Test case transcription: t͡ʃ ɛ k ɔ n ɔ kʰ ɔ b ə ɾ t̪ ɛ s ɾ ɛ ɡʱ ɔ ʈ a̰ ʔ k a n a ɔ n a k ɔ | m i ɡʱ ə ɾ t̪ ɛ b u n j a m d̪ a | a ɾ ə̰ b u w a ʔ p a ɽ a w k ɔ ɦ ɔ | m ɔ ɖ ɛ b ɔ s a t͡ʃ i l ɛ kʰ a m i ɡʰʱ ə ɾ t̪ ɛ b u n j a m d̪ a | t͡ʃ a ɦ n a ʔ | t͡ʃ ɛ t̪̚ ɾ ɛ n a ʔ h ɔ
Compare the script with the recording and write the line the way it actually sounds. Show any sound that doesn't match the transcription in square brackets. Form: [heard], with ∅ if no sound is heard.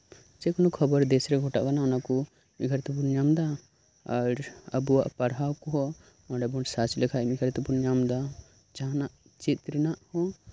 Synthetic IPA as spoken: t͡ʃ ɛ k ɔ n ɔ kʰ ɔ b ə ɾ [d̪] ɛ s ɾ ɛ ɡʱ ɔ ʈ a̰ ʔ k a n a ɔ n a k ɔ | m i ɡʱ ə ɾ t̪ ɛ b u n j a m d̪ a | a ɾ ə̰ b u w a ʔ p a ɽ a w k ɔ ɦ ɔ | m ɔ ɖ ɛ b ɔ s a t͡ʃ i l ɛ kʰ a m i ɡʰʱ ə ɾ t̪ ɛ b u n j a m d̪ a | t͡ʃ a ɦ n a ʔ | t͡ʃ [i] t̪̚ ɾ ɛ n a ʔ h ɔ